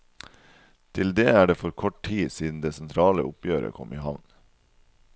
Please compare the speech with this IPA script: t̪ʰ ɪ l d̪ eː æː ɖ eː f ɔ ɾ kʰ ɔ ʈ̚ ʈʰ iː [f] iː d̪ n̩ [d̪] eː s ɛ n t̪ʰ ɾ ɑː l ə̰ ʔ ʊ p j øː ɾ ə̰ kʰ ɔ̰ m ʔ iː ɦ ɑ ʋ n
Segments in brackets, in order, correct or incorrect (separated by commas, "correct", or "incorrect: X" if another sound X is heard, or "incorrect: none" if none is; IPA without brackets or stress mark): incorrect: s, correct